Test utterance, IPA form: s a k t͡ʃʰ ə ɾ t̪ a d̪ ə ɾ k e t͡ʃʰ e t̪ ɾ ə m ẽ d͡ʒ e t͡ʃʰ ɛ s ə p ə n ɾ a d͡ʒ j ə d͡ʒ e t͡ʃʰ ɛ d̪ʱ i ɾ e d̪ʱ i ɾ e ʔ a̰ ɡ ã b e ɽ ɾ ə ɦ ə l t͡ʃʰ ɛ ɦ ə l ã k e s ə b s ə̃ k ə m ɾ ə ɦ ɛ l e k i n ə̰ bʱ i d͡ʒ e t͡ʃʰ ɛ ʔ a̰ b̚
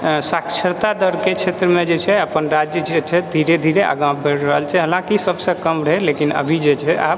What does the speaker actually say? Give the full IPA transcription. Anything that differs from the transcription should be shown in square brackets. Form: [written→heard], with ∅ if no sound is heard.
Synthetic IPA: s a k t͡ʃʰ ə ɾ t̪ a d̪ ə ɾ k e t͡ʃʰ e t̪ ɾ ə m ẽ d͡ʒ e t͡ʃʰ ɛ [s→∅] ə p ə n ɾ a d͡ʒ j ə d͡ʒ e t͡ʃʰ ɛ d̪ʱ i ɾ e d̪ʱ i ɾ e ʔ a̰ ɡ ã b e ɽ ɾ ə ɦ ə l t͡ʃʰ ɛ ɦ ə l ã k [e→i] s ə b s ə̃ k ə m ɾ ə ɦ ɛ l e k i n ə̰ bʱ i d͡ʒ e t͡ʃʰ ɛ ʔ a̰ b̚